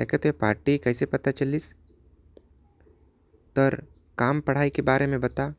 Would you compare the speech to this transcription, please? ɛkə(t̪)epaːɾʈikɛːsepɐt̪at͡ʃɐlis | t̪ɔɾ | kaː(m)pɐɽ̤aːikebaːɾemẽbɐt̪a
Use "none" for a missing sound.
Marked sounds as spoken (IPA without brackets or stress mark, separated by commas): t̪, m